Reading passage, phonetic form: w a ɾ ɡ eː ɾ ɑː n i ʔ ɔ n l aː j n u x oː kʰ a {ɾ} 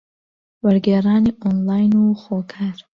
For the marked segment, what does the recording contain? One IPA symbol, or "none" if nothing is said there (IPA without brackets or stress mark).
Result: ɾ